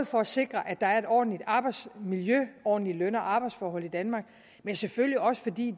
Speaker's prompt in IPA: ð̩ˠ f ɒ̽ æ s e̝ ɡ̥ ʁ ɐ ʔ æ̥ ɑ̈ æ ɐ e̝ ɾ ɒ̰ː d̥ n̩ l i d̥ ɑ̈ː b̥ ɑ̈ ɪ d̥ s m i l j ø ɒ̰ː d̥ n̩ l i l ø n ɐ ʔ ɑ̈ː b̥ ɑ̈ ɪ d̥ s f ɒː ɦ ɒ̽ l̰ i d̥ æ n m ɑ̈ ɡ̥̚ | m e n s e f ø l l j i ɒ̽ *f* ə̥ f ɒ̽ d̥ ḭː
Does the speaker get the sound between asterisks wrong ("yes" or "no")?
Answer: yes